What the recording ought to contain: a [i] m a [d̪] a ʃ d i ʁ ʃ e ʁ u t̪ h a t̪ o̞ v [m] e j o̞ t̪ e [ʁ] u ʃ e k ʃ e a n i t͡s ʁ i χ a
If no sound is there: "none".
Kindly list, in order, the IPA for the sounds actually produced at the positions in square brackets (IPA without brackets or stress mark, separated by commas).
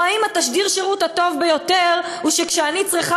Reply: i, t̪, b, ʁ